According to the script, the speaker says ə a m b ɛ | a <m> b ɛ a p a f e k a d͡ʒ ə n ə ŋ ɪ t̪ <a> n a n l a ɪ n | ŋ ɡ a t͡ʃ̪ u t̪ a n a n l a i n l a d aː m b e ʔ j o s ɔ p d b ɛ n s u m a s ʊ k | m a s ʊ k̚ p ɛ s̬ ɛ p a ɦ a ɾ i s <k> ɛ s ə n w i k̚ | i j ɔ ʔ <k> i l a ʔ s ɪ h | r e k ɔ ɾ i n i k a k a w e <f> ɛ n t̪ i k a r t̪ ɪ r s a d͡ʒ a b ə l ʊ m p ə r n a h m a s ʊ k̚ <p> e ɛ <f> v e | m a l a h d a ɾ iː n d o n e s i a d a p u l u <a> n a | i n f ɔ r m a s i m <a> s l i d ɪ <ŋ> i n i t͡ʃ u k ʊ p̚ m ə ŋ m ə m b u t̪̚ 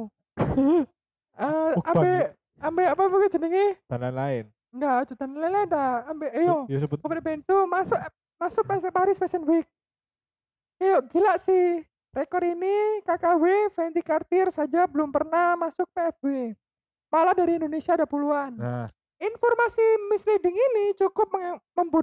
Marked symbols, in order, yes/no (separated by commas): yes, yes, no, no, yes, yes, yes, yes, no, yes